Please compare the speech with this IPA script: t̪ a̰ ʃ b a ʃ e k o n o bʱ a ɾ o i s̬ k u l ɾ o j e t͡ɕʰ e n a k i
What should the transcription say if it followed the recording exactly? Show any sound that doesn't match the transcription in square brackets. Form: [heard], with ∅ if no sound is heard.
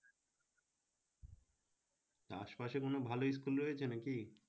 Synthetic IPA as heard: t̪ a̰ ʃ [p] a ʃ e k o n o bʱ a [l] o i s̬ k u l ɾ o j e t͡ɕʰ e n a k i